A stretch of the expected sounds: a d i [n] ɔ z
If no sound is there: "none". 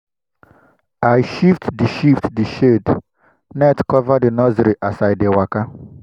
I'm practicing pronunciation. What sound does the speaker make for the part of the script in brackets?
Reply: n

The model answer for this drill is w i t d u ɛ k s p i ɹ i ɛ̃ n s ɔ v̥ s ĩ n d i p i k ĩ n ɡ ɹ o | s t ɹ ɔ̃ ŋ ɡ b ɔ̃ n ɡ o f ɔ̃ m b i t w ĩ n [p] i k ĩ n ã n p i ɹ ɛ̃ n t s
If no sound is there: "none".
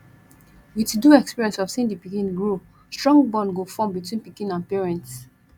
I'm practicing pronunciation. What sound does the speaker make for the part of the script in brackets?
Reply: p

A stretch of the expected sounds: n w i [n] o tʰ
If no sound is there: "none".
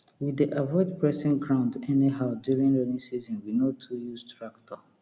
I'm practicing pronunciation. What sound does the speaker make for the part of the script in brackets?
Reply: n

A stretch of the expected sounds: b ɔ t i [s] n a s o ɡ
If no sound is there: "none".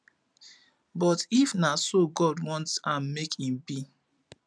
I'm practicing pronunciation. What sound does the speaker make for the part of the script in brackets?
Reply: f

